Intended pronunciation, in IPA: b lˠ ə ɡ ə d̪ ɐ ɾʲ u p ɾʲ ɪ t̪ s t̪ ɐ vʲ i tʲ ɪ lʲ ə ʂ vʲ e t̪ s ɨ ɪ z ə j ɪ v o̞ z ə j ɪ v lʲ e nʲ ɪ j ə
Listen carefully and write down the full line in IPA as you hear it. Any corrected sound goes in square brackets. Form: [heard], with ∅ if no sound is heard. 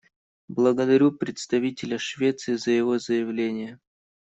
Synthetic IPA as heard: b lˠ ə ɡ ə d̪ ɐ ɾʲ u p ɾʲ ɪ t̪ s t̪ ɐ vʲ i tʲ ɪ lʲ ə ʂ vʲ e t̪ s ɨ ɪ z ə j ɪ v o̞ z ə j ɪ v lʲ e nʲ ɪ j ə